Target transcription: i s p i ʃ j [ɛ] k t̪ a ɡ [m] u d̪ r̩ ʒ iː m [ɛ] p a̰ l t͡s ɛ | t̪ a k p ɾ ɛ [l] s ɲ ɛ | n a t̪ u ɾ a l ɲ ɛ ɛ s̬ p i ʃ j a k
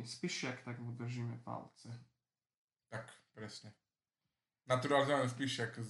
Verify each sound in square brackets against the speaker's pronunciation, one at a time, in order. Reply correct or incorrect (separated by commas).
incorrect, correct, correct, incorrect